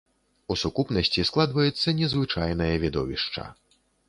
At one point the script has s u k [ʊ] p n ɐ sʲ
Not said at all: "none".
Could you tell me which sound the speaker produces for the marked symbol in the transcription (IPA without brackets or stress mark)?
u